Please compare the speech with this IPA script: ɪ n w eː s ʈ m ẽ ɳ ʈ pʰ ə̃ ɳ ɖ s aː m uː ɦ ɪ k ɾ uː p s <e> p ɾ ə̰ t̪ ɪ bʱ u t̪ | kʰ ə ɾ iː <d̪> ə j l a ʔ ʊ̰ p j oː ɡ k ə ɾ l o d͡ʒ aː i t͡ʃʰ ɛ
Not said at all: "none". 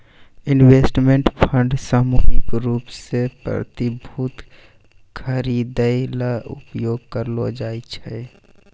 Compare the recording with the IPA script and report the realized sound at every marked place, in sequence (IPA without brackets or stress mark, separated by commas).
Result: e, d̪